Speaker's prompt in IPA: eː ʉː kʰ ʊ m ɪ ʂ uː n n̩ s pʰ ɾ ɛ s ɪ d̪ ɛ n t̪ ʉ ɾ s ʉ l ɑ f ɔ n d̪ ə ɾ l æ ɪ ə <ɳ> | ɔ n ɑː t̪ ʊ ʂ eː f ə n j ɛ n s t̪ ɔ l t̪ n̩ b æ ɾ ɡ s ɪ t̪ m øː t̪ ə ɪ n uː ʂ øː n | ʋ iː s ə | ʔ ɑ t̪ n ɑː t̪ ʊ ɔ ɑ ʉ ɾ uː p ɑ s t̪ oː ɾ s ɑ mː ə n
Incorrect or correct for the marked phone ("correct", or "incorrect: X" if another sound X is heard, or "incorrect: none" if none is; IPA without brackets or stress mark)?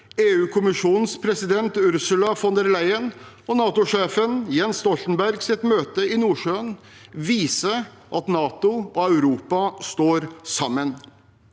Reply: incorrect: n